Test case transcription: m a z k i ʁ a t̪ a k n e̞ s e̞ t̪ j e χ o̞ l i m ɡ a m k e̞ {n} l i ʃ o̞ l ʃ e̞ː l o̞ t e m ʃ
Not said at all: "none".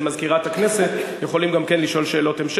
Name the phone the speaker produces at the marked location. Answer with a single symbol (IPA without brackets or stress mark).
n